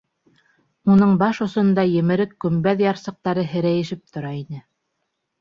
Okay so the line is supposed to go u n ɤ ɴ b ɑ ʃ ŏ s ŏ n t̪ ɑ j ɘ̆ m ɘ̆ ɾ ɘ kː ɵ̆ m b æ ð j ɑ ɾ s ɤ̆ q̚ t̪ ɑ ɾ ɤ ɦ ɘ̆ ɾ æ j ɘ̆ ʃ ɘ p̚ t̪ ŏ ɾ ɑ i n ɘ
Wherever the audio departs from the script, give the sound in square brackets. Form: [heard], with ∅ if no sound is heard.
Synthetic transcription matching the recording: u n ɤ ɴ b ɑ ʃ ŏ s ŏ n [d̪] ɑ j ɘ̆ m ɘ̆ ɾ ɘ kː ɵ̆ m b æ ð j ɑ ɾ s ɤ̆ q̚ t̪ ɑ ɾ ɤ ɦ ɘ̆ ɾ æ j ɘ̆ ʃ ɘ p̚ t̪ ŏ ɾ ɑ i n ɘ